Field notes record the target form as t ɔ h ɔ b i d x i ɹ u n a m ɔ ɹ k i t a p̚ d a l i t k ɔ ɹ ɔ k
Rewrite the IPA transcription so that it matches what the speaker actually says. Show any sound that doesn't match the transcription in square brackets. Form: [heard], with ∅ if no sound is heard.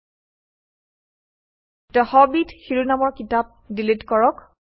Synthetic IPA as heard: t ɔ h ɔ b i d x i ɹ u n a m ɔ ɹ k i t a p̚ d [i] l i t k ɔ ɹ ɔ k